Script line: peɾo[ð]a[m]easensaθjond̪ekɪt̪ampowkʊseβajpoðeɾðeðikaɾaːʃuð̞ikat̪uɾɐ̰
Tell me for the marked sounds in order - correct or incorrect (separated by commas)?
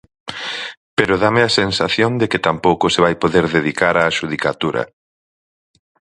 correct, correct